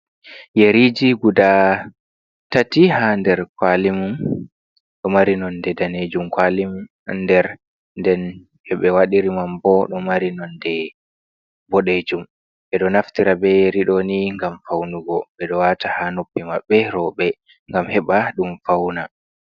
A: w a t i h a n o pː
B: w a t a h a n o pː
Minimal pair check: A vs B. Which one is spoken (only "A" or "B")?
B